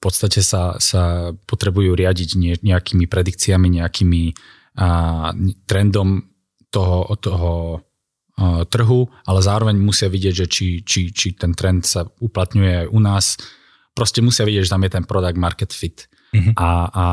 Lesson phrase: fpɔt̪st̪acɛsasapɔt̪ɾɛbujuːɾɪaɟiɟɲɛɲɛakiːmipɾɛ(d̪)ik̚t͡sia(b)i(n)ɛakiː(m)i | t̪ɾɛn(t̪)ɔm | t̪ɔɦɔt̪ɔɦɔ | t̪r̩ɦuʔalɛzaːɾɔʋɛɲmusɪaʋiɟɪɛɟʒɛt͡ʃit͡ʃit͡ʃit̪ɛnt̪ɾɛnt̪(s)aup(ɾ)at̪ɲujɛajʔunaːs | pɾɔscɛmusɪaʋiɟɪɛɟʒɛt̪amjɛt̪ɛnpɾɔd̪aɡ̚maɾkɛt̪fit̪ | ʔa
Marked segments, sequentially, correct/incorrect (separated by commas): correct, incorrect, incorrect, correct, incorrect, correct, incorrect